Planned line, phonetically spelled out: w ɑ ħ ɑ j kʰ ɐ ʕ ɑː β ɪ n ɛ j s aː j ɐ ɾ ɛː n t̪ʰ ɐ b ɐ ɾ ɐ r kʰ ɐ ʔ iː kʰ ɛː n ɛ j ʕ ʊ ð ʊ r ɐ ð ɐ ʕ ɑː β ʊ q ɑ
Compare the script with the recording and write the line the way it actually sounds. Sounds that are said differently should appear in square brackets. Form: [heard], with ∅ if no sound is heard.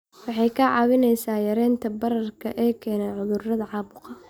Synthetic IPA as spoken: w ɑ ħ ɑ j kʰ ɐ ʕ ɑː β ɪ n ɛ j s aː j ɐ ɾ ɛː n t̪ʰ ɐ b ɐ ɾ ɐ r kʰ ɐ ʔ [ɛː] kʰ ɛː n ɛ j ʕ ʊ ð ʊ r ɐ ð ɐ ʕ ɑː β ʊ q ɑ